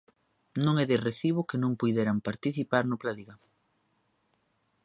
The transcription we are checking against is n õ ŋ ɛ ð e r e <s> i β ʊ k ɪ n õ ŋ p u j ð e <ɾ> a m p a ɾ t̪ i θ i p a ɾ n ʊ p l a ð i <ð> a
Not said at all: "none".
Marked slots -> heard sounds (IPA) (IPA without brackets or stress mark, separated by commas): θ, ɾ, ɣ